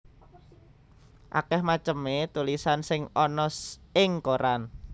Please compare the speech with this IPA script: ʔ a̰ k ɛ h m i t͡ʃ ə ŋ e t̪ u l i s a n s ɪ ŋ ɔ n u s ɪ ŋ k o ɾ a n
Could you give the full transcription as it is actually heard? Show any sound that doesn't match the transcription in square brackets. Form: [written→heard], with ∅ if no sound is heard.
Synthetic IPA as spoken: ʔ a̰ k ɛ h m [i→a] t͡ʃ ə [ŋ→m] e t̪ u l i s a n s ɪ ŋ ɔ n [u→ɔ] s ɪ ŋ k o ɾ a n